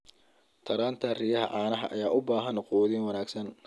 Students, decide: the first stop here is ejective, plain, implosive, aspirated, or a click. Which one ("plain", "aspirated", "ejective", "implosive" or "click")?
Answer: aspirated